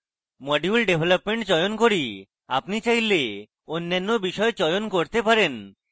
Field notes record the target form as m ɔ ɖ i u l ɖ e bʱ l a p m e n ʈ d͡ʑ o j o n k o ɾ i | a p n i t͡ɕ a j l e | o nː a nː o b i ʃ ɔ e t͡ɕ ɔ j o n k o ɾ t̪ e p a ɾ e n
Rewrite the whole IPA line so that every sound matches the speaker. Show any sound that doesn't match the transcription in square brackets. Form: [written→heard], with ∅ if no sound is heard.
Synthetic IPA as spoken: m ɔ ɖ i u l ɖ e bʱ l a p m e [n→ɳ] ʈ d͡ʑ [o→ɔ] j o n k o ɾ i | a p n i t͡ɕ a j l e | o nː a nː o b i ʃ ɔ e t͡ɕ ɔ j o n k o ɾ t̪ e p a ɾ e n